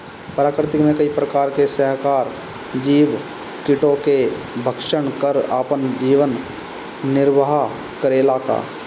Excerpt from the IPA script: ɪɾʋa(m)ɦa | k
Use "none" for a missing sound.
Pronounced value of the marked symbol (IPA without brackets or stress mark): none